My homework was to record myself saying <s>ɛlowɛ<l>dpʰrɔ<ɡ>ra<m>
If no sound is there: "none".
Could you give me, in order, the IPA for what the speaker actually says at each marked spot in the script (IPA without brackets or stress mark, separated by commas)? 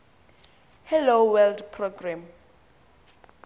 h, l, ɡ, m